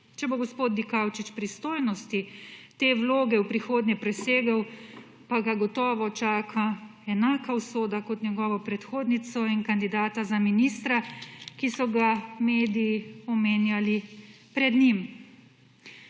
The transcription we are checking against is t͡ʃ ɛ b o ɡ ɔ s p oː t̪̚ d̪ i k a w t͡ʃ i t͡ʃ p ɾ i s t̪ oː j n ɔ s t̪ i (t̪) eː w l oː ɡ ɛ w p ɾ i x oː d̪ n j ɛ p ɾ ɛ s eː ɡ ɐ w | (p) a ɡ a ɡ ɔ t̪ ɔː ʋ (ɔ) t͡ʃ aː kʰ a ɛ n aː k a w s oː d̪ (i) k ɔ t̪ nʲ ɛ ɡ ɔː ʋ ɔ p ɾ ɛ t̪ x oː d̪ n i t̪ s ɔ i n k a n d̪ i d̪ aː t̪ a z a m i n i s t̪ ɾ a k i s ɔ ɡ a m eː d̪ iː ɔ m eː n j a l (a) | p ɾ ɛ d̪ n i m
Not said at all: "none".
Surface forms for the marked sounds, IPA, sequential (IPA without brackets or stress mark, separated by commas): t̪, p, ɔ, a, i